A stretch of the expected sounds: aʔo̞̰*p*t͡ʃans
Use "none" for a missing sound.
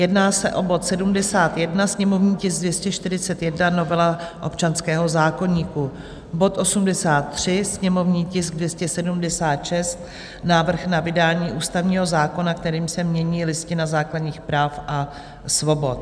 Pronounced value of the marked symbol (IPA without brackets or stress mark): p